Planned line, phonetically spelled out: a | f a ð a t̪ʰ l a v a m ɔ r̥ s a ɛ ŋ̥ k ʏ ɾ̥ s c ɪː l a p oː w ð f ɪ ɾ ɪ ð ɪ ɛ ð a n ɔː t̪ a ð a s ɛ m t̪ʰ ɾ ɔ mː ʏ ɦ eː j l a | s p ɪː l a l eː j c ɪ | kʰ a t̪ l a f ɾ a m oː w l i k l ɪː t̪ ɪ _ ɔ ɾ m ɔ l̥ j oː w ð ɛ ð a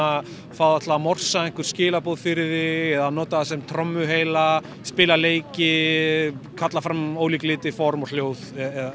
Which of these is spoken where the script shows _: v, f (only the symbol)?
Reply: f